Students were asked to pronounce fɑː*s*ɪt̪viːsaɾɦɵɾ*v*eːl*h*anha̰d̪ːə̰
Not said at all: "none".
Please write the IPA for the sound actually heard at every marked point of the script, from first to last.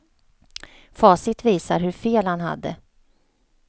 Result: s, f, h

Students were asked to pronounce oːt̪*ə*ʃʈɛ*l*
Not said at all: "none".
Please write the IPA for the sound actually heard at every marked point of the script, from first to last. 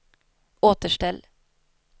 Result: ə, l

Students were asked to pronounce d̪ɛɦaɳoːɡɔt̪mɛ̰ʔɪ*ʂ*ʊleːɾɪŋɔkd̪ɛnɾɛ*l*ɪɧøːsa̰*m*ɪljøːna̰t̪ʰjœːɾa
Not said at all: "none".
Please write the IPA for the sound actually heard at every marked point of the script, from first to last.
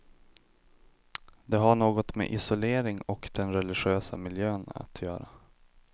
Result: s, l, m

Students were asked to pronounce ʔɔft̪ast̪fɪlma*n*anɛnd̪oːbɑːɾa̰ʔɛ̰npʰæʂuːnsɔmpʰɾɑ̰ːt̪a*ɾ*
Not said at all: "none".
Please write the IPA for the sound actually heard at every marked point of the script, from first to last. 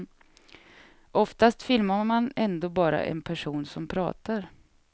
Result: m, ɾ

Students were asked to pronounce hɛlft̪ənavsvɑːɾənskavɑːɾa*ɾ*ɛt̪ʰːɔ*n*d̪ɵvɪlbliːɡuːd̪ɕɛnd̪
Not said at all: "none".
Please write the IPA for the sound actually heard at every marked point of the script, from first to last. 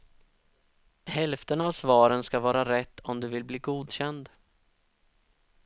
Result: ɾ, m

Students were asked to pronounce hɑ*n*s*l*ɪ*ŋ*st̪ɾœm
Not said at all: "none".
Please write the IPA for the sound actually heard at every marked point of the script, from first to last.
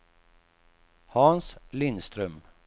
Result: n, l, n

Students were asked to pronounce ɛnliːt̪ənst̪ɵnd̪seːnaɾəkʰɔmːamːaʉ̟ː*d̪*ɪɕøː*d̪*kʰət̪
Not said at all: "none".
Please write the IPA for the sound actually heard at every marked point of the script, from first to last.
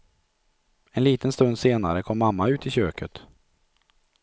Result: t̪, none

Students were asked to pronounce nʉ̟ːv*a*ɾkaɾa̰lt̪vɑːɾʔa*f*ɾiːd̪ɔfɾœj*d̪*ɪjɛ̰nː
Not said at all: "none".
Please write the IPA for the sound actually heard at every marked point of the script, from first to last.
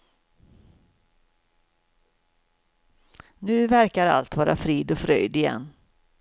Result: æ, f, d̪

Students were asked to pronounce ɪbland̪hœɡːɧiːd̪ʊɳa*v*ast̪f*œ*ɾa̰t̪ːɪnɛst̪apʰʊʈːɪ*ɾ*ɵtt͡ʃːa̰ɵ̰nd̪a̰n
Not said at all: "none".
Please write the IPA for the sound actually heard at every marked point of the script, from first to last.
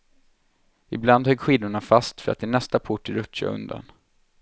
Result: f, œ, ɾ

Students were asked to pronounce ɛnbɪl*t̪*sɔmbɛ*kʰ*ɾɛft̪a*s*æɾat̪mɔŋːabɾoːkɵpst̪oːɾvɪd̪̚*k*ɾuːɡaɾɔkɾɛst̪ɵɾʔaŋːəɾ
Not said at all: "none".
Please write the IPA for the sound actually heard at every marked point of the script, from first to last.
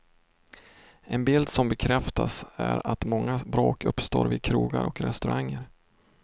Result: d̪, kʰ, s, kʰ

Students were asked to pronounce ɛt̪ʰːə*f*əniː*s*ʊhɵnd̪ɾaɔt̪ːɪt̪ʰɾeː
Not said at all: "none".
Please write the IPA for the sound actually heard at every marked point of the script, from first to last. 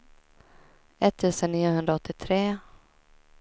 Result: s, none

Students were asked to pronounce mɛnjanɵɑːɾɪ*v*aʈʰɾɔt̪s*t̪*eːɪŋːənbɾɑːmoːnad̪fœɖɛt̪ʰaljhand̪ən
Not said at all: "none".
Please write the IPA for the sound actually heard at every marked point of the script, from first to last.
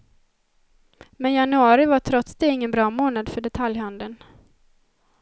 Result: v, d̪

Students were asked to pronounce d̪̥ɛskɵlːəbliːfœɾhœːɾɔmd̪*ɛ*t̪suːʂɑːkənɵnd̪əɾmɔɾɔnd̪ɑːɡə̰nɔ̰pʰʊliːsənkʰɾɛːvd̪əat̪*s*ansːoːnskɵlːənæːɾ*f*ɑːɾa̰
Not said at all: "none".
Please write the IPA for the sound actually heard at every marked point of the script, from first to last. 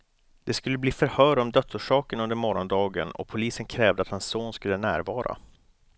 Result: œ, h, v

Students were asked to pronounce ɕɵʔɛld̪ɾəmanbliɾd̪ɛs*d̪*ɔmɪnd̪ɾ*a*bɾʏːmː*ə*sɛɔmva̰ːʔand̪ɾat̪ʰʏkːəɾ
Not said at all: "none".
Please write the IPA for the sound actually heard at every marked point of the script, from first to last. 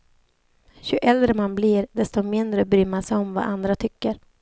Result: t̪, ə, a

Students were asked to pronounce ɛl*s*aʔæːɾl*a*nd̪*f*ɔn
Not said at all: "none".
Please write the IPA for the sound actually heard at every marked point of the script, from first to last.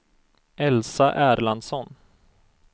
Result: s, a, s

